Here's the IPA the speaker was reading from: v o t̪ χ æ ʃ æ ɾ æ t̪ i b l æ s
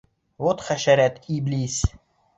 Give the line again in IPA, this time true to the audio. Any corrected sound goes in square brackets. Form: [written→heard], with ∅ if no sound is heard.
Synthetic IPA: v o t̪ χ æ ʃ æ ɾ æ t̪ i b l [æ→i] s